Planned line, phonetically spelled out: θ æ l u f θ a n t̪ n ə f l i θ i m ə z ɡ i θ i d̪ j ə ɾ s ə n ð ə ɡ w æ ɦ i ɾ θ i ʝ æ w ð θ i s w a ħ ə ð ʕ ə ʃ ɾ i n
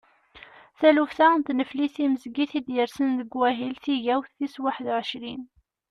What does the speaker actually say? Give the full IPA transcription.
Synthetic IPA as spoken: θ æ l u f θ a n t̪ n ə f l i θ i m ə z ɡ i θ i d̪ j ə ɾ s ə n ð ə ɡ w æ ɦ i l θ i ʝ æ w θ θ i s w a ħ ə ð ʕ ə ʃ ɾ i n